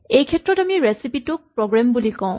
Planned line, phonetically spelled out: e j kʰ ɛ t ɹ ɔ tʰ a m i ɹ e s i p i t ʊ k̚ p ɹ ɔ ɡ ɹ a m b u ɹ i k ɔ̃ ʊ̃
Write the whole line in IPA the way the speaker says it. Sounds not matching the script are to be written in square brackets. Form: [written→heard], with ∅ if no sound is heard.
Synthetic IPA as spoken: e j kʰ ɛ t ɹ ɔ [tʰ→t] a m i ɹ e s i p i t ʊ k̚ p ɹ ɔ ɡ ɹ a m b u [ɹ→l] i k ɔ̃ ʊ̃